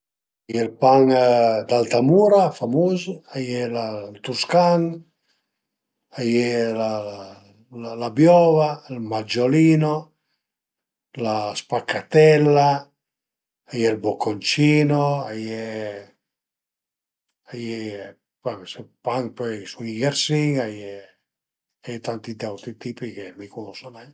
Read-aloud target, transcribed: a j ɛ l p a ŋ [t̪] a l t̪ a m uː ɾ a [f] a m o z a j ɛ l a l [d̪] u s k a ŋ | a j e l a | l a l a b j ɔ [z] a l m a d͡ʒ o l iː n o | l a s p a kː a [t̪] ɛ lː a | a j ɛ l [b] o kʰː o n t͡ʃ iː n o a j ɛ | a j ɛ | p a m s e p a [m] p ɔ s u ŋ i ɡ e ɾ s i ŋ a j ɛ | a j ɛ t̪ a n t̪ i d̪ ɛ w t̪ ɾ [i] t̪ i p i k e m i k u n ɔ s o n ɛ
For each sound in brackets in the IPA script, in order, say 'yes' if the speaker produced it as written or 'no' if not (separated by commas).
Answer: no, yes, no, no, yes, yes, no, yes